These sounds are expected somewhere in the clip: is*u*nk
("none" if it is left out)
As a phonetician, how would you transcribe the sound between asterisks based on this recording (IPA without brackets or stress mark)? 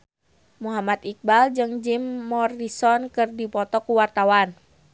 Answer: ɔ